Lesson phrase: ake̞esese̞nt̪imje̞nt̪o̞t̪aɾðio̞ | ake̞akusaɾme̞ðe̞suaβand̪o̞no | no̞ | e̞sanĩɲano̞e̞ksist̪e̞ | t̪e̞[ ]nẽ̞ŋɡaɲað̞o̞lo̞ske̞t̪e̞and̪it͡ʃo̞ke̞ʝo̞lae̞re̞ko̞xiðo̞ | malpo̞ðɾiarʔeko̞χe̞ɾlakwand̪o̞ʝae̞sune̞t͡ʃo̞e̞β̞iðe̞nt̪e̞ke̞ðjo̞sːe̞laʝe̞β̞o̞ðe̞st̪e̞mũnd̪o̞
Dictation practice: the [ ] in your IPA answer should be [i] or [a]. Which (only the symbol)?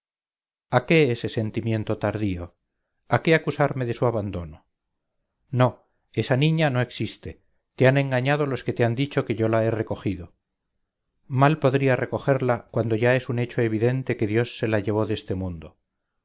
a